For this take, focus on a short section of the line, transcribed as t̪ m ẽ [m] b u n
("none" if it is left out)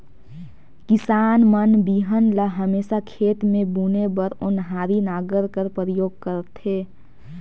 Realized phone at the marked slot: none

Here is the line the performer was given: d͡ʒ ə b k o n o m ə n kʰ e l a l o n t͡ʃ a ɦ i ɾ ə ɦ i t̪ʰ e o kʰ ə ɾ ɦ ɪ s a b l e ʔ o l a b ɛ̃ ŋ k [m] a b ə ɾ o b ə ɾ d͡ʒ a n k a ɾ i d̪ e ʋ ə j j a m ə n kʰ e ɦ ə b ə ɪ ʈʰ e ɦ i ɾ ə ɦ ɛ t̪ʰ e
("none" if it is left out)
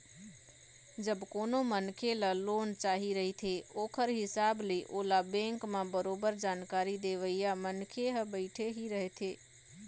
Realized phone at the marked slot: m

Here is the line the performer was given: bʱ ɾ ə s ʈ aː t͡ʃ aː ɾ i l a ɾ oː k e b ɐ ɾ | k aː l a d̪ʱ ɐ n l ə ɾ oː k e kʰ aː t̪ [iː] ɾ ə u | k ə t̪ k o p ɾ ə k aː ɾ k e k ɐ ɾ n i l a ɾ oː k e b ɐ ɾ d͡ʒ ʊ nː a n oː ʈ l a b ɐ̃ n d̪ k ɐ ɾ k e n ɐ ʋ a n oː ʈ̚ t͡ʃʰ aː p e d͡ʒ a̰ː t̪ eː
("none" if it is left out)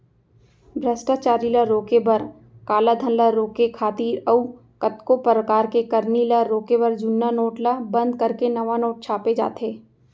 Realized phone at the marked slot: iː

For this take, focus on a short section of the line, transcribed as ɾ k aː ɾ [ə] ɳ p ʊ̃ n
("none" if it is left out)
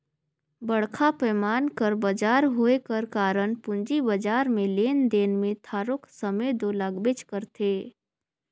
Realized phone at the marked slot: ə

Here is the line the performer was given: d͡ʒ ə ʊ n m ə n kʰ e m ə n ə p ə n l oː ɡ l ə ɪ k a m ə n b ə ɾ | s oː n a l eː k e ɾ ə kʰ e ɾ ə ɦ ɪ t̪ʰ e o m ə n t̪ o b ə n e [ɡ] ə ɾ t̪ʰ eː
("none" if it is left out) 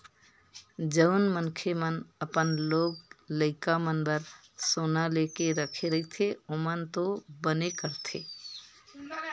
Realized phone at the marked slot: k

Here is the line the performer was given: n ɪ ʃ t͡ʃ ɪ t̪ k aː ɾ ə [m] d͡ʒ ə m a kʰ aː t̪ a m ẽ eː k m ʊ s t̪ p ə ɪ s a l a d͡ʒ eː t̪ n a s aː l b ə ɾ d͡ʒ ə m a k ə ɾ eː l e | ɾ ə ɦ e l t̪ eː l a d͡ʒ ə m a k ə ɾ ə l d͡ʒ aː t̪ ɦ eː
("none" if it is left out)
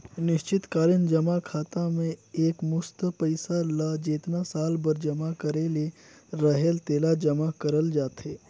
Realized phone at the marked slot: n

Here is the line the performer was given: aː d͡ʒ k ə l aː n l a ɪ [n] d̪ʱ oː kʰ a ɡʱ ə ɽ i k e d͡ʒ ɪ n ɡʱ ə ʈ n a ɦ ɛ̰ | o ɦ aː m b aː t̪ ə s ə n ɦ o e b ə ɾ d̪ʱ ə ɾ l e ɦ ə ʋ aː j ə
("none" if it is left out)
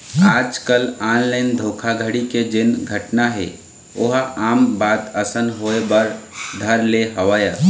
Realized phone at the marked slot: n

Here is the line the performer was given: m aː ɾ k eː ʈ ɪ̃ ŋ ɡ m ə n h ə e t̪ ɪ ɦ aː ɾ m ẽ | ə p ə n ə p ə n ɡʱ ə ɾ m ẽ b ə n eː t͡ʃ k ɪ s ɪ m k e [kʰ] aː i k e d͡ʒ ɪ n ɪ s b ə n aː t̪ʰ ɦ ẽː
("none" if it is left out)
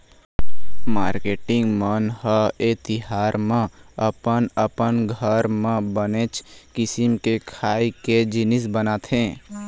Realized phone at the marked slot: kʰ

